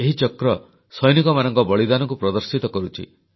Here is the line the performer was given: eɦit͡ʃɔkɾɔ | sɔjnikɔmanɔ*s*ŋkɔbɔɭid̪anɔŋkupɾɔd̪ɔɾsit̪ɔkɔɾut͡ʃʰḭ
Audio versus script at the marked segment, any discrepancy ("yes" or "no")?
yes